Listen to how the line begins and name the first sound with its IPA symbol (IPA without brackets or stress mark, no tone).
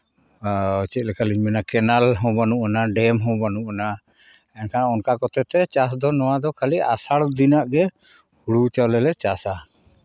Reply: t͡ʃ